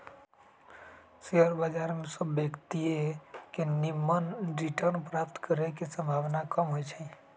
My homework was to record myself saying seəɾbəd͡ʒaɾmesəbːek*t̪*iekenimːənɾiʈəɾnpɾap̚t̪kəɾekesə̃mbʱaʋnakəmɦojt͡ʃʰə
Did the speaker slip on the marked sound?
no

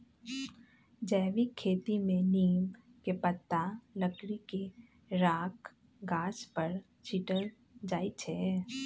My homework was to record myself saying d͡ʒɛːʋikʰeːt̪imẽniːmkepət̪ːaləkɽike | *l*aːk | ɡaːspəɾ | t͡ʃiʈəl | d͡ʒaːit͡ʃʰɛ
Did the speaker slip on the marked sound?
yes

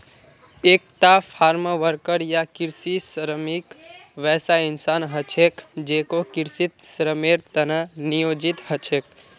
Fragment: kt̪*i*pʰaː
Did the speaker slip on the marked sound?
yes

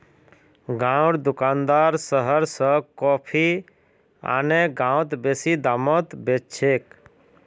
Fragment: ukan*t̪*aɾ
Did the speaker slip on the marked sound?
yes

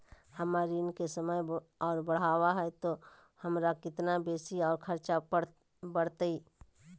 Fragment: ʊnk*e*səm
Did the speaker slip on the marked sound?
no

